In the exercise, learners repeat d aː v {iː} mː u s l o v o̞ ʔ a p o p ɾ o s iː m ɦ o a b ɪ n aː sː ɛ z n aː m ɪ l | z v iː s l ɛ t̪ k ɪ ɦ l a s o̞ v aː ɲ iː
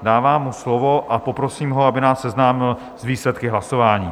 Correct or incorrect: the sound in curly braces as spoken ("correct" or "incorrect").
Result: incorrect